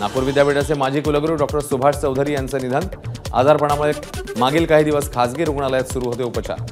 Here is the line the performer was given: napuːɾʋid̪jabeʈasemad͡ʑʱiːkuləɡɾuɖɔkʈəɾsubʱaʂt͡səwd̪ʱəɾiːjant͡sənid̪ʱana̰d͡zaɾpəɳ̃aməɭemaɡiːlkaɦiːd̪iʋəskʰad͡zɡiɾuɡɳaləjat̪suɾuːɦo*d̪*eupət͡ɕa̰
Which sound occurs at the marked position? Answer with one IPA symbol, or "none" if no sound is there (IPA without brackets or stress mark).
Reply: t̪